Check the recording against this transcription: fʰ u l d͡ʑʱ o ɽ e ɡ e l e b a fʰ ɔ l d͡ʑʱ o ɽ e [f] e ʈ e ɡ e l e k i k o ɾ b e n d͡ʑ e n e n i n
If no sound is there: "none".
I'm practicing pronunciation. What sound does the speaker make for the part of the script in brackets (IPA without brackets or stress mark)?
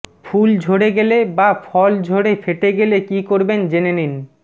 f